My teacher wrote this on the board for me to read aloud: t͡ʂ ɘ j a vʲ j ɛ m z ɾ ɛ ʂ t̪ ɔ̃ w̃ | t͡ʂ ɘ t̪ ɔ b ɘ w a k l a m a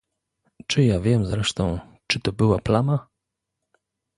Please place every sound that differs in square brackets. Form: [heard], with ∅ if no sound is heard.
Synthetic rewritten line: t͡ʂ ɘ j a vʲ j ɛ m z ɾ ɛ ʂ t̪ ɔ̃ w̃ | t͡ʂ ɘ t̪ ɔ b ɘ w a [p] l a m a